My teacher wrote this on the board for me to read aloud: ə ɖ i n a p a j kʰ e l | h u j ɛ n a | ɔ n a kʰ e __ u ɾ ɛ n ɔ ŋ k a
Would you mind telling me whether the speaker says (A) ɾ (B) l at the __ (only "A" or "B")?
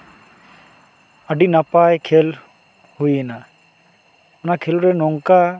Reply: B